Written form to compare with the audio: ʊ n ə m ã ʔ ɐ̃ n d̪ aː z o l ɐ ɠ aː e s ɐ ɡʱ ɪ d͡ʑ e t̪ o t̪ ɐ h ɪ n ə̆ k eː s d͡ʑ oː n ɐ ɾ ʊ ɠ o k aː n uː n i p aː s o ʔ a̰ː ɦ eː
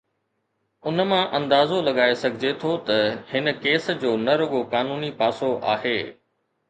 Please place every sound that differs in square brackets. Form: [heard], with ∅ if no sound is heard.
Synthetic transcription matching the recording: ʊ n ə m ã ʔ ɐ̃ n d̪ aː z o l ɐ ɠ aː e s ɐ ɡʱ ɪ d͡ʑ e [t̪ʰ] o t̪ ɐ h ɪ n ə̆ k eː s d͡ʑ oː n ɐ ɾ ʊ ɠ o k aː n uː n i p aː s o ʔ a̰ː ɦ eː